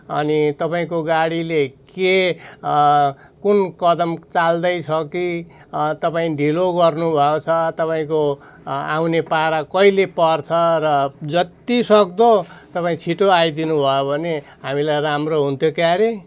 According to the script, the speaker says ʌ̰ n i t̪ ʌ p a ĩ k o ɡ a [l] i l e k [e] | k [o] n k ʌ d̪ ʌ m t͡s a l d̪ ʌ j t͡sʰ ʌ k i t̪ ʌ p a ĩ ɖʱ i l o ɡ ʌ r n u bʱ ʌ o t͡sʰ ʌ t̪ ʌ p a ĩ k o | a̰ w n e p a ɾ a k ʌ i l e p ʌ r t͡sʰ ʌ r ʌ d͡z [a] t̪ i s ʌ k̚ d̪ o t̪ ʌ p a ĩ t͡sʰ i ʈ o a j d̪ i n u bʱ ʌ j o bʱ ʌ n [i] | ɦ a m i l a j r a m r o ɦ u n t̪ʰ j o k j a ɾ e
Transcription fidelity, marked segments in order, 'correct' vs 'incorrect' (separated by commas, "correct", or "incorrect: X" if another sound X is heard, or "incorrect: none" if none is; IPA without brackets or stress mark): incorrect: ɽ, correct, incorrect: u, incorrect: ʌ, incorrect: e